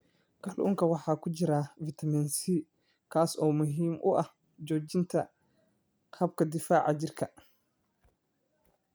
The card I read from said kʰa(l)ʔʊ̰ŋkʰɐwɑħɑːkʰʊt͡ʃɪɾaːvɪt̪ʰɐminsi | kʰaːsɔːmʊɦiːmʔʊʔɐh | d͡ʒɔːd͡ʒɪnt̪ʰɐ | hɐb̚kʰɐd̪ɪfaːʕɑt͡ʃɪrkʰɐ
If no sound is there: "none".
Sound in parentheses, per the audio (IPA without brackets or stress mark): l